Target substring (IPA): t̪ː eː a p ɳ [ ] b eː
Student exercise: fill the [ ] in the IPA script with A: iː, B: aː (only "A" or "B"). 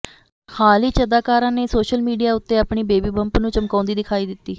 A